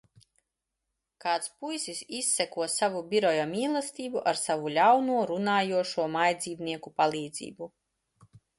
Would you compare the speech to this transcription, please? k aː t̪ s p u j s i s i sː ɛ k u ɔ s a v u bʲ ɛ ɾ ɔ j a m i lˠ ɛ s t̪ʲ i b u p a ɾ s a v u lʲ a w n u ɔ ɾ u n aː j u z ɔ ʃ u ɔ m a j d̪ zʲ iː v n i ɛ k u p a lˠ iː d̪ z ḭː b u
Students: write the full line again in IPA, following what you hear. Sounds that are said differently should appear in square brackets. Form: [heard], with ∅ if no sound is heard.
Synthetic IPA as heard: k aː t̪ s p u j s i s i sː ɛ k u ɔ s a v u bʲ [i] ɾ ɔ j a m [iː] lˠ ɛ s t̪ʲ [iː] b u [ʔ] a ɾ s a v u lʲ a w n u ɔ ɾ u n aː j u [∅] ɔ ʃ u ɔ m a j d̪ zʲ iː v n i ɛ k u p a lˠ iː d̪ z ḭː b u